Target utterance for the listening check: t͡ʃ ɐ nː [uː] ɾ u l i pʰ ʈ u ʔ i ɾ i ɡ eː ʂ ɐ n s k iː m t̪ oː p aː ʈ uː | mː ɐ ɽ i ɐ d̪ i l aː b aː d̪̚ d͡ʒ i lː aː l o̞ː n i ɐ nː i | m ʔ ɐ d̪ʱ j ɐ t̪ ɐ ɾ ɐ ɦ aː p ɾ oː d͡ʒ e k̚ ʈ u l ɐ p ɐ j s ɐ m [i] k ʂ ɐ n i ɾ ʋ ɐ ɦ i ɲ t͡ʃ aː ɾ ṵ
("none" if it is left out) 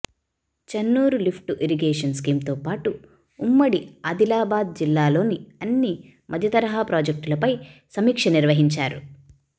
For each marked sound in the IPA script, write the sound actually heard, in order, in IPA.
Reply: uː, iː

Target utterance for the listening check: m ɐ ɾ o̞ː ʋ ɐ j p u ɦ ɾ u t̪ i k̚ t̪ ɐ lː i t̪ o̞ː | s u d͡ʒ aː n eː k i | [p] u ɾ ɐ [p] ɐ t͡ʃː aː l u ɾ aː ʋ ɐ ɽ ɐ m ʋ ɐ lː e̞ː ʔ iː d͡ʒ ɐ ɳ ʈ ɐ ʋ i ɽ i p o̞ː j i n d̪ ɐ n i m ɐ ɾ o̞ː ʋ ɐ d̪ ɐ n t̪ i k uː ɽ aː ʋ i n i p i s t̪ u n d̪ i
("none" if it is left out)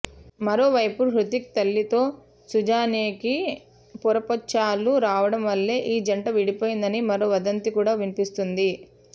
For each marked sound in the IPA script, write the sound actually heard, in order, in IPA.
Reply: p, p

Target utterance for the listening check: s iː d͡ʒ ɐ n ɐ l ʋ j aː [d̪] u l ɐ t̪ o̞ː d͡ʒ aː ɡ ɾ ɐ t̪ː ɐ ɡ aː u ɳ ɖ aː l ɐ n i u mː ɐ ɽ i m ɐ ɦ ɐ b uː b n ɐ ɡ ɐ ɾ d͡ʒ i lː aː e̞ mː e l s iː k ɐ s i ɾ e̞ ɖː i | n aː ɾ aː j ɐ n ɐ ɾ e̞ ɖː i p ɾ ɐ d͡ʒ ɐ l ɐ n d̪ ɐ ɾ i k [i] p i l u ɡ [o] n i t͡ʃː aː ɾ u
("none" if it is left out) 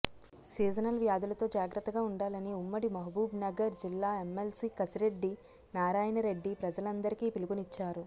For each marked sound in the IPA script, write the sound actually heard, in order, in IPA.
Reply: d̪, iː, u

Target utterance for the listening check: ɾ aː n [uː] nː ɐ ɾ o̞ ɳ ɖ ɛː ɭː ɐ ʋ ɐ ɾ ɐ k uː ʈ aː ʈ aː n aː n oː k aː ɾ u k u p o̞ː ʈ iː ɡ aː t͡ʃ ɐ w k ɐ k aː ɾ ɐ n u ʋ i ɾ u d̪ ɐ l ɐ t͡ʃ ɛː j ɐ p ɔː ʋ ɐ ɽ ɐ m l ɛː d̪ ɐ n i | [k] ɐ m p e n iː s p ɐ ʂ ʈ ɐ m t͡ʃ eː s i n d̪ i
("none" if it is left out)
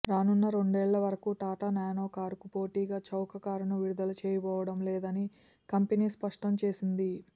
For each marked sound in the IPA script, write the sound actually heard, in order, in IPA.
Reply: u, k

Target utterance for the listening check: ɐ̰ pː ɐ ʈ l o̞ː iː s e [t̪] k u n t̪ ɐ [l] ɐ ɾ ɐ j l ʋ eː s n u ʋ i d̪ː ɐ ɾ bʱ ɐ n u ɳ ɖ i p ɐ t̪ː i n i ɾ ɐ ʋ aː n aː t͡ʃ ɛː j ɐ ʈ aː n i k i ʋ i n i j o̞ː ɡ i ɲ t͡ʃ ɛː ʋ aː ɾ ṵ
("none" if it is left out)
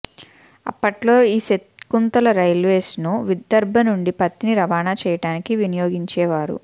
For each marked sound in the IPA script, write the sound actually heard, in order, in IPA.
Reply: t̪, l

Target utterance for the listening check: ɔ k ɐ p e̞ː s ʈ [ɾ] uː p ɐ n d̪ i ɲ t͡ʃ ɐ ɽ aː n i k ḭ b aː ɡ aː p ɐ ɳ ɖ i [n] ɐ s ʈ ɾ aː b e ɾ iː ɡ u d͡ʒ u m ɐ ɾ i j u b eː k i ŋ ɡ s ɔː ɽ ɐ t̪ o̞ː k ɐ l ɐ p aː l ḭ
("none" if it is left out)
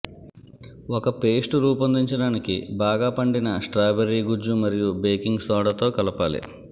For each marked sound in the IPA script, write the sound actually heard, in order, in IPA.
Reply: ɾ, n

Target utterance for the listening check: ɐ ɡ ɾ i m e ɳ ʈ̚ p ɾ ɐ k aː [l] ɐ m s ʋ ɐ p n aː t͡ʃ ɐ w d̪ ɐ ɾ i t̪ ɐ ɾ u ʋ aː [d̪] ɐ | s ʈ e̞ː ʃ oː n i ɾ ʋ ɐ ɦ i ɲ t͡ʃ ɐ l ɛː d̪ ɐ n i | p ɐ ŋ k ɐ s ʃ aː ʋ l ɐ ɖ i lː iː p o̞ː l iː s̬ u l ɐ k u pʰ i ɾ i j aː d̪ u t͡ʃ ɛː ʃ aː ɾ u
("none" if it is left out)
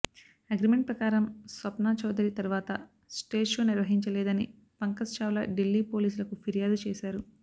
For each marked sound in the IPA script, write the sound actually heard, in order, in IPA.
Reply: ɾ, t̪

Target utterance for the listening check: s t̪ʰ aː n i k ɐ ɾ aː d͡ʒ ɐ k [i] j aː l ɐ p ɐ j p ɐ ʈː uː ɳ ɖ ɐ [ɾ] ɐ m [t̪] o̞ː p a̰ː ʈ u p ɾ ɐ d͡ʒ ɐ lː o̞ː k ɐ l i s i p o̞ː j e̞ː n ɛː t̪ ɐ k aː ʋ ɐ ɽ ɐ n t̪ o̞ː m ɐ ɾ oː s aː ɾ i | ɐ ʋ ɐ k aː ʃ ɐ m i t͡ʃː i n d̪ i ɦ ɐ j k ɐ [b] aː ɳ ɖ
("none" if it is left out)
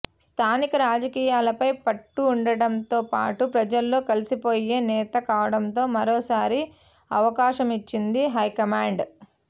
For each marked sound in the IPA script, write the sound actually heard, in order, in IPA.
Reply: iː, ɽ, t̪, m

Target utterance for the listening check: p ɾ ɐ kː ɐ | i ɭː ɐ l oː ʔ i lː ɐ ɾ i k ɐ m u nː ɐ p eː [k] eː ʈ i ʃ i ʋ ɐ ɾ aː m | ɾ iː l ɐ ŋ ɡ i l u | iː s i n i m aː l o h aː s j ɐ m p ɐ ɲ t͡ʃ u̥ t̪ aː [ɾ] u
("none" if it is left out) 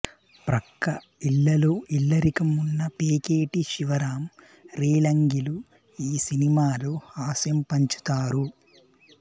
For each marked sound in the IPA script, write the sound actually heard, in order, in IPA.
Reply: k, ɾ

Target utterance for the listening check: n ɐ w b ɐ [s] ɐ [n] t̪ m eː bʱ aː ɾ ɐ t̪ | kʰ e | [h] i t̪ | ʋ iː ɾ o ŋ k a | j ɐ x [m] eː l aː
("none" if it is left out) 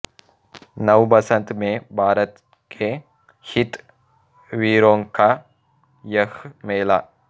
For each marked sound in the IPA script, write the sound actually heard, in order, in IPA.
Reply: s, n, h, m

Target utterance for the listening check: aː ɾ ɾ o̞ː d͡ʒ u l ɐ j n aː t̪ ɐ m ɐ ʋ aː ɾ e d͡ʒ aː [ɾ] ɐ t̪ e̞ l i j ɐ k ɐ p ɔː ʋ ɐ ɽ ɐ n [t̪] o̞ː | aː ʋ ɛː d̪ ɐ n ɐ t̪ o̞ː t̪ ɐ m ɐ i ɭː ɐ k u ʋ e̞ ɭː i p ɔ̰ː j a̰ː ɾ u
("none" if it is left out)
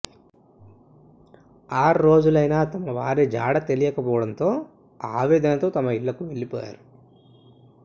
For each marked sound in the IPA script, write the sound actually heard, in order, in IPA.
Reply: ɽ, t̪

